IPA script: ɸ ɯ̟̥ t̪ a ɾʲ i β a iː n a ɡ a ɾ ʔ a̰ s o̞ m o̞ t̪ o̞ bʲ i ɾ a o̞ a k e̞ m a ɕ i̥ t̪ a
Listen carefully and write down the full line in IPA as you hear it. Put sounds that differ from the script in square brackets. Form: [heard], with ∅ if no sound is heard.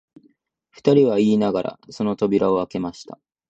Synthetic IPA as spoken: ɸ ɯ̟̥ t̪ a ɾʲ i β a iː n a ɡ a ɾ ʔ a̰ s o̞ [n] o̞ t̪ o̞ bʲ i ɾ a o̞ a k e̞ m a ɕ i̥ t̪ a